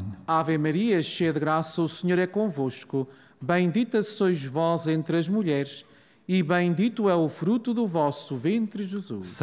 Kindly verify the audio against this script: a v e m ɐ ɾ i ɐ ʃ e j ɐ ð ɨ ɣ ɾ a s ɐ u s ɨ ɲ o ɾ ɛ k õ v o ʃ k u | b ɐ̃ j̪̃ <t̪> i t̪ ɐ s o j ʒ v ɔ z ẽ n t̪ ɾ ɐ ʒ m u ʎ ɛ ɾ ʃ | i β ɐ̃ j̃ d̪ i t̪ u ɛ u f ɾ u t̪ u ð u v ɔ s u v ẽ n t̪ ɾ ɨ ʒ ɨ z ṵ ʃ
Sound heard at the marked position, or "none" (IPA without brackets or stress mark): d̪